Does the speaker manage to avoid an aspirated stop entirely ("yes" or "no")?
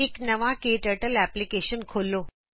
no